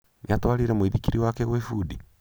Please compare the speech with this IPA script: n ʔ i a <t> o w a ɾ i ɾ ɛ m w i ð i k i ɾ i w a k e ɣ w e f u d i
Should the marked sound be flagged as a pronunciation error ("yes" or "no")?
no